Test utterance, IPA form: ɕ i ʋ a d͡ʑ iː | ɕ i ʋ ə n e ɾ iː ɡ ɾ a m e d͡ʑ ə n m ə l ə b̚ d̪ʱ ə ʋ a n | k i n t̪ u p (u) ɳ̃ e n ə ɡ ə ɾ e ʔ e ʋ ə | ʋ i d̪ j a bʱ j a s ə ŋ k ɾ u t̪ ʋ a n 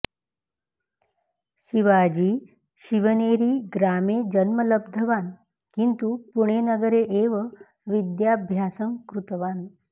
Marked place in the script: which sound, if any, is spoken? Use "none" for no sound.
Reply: u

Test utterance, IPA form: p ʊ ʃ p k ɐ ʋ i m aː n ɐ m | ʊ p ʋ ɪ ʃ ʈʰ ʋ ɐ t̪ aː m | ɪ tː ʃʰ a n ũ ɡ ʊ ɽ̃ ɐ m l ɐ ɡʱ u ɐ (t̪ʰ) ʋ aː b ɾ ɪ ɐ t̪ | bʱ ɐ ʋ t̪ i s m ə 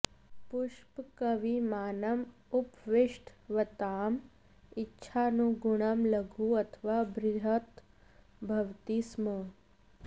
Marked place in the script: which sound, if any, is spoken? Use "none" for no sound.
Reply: t̪ʰ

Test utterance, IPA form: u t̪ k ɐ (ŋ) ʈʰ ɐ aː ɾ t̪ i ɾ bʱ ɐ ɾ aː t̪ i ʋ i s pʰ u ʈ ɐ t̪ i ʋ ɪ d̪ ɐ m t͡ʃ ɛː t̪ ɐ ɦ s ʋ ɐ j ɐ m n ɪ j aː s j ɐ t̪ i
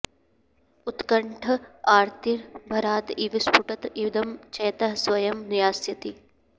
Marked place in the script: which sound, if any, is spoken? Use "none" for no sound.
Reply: ɳ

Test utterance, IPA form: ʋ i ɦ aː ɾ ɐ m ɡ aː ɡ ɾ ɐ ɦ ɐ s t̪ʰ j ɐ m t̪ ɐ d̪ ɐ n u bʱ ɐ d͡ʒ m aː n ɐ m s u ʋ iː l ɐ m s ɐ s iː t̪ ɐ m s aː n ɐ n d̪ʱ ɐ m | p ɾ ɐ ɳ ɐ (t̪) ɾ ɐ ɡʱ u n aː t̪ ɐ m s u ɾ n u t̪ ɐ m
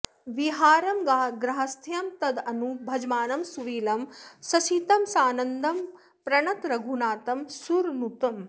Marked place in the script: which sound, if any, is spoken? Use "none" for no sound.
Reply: t̪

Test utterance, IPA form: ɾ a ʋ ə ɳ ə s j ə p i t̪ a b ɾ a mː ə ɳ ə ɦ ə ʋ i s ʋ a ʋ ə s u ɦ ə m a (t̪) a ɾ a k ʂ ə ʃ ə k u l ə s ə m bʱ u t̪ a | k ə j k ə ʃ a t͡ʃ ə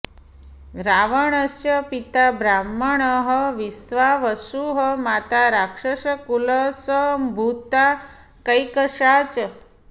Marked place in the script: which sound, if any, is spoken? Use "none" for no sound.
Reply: t̪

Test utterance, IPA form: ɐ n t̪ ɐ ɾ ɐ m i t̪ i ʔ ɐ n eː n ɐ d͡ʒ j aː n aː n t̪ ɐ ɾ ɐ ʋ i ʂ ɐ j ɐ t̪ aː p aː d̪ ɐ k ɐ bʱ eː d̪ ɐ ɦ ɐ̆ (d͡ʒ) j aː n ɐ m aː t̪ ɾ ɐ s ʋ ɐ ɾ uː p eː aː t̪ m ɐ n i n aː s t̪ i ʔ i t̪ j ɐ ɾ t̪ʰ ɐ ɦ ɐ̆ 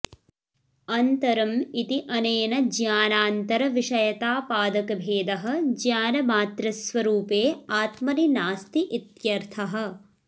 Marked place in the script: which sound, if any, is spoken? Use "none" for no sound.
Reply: d͡ʒ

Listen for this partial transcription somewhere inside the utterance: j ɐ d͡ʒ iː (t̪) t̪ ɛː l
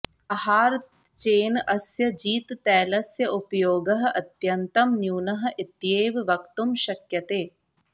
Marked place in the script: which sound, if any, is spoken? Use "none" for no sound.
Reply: t̪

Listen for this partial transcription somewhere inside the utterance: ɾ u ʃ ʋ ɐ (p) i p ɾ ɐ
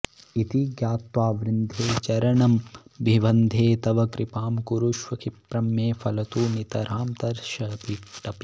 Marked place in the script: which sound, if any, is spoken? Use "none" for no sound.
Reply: k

